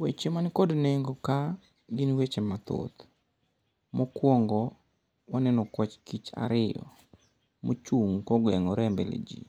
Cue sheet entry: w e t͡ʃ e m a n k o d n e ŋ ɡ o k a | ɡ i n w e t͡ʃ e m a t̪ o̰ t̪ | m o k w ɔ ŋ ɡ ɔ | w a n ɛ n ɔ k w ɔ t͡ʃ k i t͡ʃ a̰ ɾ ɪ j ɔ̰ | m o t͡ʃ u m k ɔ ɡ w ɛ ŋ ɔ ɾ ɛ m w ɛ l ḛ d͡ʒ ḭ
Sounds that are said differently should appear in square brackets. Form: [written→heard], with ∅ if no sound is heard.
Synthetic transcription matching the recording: w e t͡ʃ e m a n k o d n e ŋ ɡ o k a | ɡ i n w e t͡ʃ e m a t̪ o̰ t̪ | m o k w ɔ ŋ ɡ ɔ | w a n ɛ n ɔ k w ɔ t͡ʃ k i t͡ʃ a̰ ɾ ɪ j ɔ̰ | m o t͡ʃ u [m→ŋ] k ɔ ɡ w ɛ ŋ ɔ ɾ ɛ m [w→b] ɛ l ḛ d͡ʒ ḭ